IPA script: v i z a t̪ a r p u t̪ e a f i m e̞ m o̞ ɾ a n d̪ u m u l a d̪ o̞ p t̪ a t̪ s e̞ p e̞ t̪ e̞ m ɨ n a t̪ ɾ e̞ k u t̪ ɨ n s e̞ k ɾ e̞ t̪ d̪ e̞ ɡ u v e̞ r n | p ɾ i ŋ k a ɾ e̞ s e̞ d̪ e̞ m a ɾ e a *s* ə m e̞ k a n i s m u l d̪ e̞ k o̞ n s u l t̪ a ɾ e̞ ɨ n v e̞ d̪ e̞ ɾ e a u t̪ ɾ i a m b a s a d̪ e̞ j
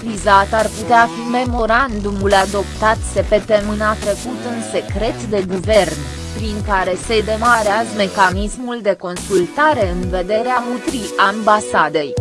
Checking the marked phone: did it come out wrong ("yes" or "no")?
yes